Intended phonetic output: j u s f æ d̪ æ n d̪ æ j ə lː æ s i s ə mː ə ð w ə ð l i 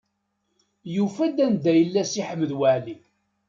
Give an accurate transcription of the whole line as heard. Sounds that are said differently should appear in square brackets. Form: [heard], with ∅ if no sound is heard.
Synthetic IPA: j u [∅] f æ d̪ æ n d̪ æ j ə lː æ s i [ħ] ə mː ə ð w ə [ʕ] l i